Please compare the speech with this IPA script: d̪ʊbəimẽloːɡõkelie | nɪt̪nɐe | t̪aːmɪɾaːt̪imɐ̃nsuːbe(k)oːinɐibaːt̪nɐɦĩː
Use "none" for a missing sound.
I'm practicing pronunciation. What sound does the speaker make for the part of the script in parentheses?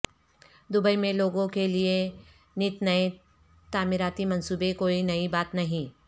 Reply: k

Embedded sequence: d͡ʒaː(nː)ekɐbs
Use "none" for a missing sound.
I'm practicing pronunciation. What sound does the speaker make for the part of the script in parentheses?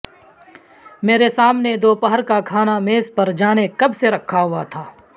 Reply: n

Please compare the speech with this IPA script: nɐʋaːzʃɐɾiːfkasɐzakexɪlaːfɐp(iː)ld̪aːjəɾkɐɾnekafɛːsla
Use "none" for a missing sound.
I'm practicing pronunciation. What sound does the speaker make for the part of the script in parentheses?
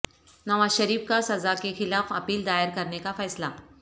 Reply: iː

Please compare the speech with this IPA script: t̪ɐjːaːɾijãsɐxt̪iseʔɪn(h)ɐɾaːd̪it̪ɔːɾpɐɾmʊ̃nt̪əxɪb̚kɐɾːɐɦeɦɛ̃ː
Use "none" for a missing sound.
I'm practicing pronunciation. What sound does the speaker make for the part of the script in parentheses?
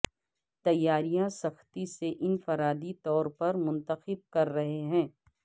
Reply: f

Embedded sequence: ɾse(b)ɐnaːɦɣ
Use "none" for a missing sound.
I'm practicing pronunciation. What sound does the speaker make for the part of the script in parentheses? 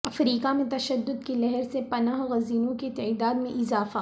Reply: p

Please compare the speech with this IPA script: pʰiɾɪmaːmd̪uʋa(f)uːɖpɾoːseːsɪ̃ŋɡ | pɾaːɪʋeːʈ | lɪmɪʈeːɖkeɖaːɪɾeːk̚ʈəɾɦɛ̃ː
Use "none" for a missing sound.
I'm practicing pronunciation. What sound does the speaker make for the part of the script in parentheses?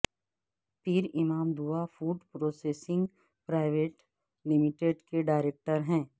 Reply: f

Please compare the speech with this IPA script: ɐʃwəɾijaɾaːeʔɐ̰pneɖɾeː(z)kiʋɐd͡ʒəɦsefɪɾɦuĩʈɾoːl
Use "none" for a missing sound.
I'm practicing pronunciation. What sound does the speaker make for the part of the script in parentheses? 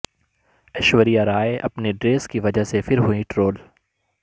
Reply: s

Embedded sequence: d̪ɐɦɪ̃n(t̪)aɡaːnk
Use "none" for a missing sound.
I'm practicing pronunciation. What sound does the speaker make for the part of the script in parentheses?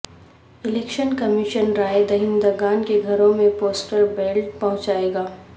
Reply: d̪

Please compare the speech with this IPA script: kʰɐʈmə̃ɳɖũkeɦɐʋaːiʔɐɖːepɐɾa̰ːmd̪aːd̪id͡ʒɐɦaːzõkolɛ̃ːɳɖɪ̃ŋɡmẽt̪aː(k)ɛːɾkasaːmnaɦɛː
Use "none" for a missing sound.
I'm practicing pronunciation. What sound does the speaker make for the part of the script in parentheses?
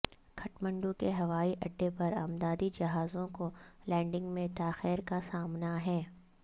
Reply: x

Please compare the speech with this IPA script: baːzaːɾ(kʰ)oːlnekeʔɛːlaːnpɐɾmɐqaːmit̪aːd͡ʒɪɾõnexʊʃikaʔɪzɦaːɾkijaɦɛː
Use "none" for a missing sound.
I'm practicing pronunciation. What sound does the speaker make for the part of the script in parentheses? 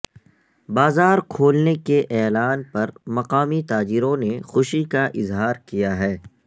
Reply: kʰ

